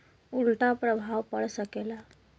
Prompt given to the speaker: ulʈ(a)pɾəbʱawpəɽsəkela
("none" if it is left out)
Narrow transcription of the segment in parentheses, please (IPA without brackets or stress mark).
a